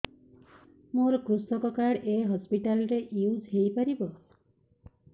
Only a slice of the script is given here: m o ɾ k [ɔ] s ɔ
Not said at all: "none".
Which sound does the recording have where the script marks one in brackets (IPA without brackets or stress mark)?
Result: u